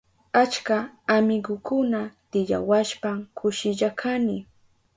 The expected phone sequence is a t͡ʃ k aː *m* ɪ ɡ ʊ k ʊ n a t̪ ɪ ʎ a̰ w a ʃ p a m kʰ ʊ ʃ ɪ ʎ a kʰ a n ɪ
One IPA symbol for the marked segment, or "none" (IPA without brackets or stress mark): m